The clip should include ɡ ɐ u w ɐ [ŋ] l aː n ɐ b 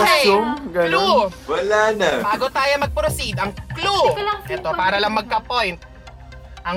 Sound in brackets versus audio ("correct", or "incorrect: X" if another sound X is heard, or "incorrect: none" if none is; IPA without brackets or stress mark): incorrect: none